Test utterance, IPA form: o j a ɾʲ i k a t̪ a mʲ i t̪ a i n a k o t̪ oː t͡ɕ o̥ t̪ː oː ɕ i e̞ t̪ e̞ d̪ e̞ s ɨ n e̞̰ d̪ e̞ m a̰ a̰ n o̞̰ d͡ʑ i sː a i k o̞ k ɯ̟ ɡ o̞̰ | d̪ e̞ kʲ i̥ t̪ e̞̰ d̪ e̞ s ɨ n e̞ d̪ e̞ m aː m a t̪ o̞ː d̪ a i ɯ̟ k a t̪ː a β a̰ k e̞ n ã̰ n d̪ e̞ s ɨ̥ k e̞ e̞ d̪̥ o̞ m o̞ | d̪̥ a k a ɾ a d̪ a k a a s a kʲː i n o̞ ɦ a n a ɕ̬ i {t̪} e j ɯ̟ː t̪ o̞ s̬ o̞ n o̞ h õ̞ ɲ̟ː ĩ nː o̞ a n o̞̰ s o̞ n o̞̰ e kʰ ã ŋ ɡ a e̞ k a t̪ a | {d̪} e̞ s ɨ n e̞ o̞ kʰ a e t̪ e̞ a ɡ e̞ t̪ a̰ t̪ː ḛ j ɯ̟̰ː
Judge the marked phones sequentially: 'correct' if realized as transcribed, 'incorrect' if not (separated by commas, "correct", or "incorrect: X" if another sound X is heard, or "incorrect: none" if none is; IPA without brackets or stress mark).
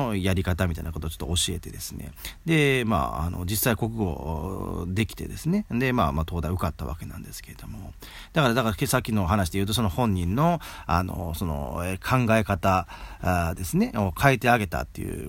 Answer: incorrect: d̪, correct